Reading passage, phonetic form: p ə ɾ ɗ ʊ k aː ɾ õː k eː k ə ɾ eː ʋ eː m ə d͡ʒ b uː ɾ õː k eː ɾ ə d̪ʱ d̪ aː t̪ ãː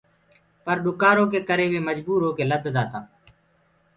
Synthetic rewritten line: p ə ɾ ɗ ʊ k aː ɾ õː k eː k ə ɾ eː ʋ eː m ə d͡ʒ b uː ɾ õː k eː l ə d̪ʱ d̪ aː t̪ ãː